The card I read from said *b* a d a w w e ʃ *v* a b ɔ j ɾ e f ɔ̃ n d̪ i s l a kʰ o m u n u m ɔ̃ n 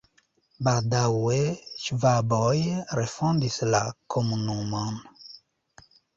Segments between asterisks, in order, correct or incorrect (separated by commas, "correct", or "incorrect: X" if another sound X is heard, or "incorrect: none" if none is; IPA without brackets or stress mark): correct, correct